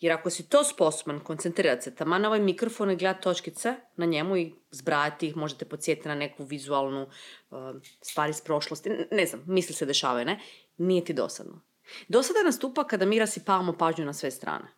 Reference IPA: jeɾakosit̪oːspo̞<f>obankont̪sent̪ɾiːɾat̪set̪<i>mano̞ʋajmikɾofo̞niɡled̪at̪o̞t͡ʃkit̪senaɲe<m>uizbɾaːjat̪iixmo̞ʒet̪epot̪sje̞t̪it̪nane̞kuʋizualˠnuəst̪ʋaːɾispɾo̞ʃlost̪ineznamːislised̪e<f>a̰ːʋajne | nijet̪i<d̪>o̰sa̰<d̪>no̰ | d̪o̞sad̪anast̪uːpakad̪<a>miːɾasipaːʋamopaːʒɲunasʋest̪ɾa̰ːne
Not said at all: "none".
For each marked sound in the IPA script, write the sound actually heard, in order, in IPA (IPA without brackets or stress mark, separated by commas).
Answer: s, a, m, ʃ, d̪, d̪, a